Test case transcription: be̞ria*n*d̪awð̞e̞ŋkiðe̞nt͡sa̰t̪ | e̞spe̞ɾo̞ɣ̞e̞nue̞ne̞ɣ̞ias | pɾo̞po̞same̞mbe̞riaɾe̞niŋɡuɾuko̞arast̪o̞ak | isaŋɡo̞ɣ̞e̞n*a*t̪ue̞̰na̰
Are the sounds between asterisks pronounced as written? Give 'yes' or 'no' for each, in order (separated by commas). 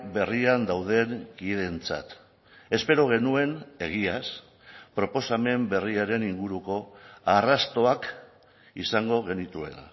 yes, no